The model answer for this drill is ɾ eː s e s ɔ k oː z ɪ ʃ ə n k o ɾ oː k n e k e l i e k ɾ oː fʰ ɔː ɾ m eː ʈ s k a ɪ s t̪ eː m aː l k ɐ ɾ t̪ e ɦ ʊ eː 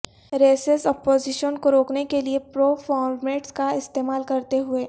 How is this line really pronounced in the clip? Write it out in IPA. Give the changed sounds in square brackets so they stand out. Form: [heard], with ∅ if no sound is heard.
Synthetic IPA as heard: ɾ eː s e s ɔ [p] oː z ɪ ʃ ə n k o ɾ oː k n e k e l i e [p] ɾ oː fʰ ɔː ɾ m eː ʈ s k a ɪ s t̪ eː m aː l k ɐ ɾ t̪ e ɦ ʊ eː